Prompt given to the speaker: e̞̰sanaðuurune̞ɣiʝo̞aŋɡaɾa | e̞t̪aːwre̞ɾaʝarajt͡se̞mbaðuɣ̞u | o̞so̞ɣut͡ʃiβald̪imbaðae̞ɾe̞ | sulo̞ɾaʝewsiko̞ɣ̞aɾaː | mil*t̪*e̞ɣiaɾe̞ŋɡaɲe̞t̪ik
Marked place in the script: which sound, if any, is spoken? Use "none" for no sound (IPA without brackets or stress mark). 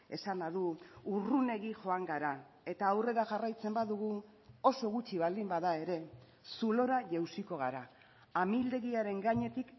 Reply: d̪